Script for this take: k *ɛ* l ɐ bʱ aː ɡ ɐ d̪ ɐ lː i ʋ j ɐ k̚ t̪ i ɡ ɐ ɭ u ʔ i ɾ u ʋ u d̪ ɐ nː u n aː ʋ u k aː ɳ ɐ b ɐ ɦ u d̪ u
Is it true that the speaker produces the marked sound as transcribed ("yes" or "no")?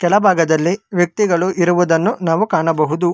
yes